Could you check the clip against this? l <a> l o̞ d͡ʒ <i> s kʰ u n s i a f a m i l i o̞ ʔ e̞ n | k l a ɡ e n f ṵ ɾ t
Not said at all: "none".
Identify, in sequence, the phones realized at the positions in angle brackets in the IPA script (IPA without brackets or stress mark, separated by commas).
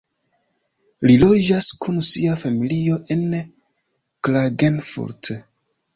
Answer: i, a